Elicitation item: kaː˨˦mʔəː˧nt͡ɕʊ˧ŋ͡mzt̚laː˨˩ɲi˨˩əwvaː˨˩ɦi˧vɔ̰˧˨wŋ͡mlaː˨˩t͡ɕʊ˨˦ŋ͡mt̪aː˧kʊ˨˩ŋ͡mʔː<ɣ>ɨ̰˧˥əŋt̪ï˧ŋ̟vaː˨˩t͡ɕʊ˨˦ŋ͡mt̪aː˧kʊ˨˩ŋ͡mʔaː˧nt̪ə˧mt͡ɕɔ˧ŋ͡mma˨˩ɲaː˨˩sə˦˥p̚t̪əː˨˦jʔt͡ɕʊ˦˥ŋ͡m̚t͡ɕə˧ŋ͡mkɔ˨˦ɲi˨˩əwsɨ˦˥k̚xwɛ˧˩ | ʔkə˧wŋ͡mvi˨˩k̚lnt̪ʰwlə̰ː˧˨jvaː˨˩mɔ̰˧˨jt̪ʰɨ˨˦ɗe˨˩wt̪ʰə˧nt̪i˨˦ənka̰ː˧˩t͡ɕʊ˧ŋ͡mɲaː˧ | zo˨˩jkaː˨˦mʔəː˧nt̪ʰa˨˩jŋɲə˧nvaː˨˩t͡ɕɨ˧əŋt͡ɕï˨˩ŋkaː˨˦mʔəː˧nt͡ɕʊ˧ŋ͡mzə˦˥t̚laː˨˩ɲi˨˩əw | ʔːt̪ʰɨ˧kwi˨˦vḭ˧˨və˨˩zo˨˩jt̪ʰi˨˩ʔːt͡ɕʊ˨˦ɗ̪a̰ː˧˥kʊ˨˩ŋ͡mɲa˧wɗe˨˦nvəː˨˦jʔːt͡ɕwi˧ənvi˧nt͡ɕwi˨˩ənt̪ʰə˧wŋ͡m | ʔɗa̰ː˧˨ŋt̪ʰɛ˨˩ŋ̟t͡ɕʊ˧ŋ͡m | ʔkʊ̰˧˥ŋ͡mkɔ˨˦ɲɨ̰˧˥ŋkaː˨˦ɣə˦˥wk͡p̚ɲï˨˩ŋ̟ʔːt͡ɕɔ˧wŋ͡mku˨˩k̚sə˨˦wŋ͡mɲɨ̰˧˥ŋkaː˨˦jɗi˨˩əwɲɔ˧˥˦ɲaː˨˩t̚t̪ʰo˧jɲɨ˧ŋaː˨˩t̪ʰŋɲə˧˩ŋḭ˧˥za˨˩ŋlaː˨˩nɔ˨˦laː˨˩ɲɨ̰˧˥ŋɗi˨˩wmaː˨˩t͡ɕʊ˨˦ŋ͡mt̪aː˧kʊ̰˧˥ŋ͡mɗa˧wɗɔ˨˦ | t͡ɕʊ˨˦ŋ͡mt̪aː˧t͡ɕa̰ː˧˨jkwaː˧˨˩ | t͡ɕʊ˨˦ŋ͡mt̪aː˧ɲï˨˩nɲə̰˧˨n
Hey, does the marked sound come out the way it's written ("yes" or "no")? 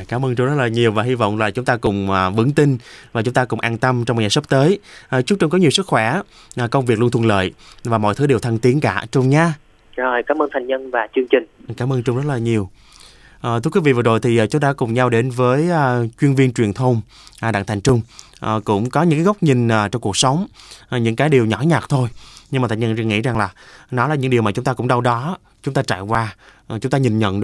no